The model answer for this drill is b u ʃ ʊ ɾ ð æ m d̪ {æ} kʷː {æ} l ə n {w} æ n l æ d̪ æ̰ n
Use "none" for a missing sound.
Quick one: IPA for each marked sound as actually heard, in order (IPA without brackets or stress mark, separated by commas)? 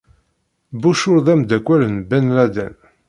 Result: æ, æ, b